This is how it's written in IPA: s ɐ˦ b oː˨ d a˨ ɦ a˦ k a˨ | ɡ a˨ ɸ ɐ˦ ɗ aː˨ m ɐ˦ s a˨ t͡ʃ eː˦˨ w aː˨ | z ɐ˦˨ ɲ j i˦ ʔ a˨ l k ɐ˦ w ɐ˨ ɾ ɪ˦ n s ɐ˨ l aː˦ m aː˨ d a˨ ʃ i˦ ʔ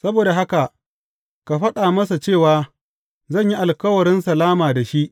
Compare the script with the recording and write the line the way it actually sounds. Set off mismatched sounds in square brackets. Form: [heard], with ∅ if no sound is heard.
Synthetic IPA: s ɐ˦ b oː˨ d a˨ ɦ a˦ k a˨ | [k] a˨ ɸ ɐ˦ ɗ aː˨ m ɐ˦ s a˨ t͡ʃ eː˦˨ w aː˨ | z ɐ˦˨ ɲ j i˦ ʔ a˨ l k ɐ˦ w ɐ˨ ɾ ɪ˦ n s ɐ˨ l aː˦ m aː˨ d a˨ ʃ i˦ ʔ